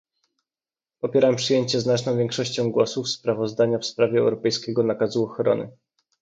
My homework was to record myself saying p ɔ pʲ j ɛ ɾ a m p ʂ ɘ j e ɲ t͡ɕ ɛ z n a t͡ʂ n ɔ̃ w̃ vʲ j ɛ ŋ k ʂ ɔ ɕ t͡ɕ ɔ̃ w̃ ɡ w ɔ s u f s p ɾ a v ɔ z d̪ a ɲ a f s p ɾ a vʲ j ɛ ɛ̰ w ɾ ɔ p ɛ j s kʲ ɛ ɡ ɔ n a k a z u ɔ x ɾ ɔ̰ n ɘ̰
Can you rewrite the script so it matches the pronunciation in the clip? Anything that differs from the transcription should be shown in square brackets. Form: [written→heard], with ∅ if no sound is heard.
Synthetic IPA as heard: p ɔ pʲ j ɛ ɾ a m p ʂ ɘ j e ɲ t͡ɕ ɛ z n a t͡ʂ n ɔ̃ w̃ vʲ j ɛ ŋ k ʂ ɔ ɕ t͡ɕ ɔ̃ w̃ ɡ w ɔ s u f s p ɾ a v ɔ z d̪ a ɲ a f s p ɾ a vʲ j ɛ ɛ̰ w ɾ ɔ p ɛ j s kʲ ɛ ɡ ɔ n a k a z u ɔ x ɾ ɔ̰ n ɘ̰